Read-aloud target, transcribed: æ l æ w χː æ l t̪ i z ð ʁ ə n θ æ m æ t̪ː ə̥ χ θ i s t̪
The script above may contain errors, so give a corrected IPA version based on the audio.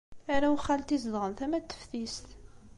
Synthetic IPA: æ ɾ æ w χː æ l t̪ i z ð ʁ ə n θ æ m æ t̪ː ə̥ f θ i s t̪